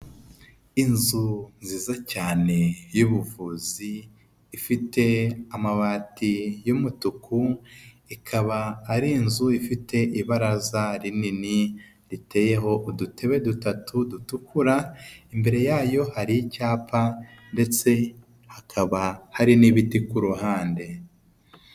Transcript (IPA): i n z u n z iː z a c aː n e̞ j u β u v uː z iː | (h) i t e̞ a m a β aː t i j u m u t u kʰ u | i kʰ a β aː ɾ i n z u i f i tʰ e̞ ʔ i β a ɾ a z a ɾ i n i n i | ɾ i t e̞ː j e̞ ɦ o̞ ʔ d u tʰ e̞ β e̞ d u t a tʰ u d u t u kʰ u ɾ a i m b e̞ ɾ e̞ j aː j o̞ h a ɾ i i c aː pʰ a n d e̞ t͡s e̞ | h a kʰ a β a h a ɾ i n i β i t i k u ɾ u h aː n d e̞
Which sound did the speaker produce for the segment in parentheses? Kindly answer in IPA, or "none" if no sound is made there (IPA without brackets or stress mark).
f